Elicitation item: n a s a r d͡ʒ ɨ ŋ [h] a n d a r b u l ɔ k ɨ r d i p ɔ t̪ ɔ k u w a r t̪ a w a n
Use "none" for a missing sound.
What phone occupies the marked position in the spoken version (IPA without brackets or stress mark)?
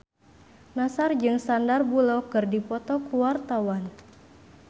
s